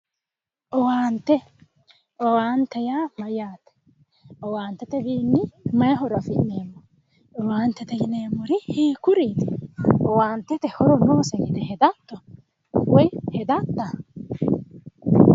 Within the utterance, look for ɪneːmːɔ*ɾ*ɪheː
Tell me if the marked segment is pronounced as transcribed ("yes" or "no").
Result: yes